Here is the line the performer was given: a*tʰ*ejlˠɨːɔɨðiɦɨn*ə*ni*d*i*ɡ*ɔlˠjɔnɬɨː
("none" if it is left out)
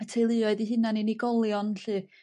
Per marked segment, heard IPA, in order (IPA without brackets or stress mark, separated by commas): tʰ, a, n, ɡ